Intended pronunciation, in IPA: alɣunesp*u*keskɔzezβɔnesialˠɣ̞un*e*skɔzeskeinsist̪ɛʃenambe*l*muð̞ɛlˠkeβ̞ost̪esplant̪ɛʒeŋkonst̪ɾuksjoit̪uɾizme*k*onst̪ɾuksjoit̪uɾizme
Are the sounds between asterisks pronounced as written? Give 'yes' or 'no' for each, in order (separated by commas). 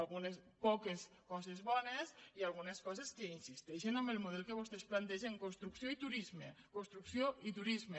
no, yes, yes, yes